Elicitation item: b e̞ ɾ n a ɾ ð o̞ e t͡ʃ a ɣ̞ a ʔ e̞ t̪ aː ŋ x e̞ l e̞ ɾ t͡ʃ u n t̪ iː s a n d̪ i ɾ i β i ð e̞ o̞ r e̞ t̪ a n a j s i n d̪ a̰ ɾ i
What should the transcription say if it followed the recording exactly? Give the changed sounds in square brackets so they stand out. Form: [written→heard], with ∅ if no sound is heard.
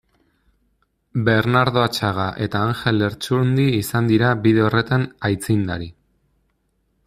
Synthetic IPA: b e̞ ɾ n a ɾ ð o̞ [e→a] t͡ʃ a ɣ̞ a ʔ e̞ t̪ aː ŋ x e̞ l e̞ ɾ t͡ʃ u n [t̪→d̪] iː s a n d̪ i ɾ [i→a] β i ð e̞ o̞ r e̞ t̪ a n a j [s→t͡s] i n d̪ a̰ ɾ i